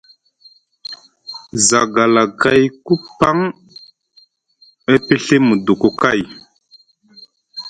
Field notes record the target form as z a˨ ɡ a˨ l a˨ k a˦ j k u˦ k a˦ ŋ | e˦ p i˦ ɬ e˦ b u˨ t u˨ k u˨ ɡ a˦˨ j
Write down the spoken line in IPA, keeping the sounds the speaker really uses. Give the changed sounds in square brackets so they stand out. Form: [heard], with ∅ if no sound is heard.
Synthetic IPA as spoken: z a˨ ɡ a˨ l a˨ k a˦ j k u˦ [p] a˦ ŋ | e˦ p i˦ ɬ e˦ [m] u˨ [d] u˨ k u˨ [k] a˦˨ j